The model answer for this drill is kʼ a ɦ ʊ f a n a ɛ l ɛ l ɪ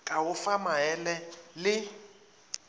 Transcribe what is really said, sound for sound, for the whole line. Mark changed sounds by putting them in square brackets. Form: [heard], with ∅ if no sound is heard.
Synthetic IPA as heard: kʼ a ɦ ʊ f a [m] a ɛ l ɛ l ɪ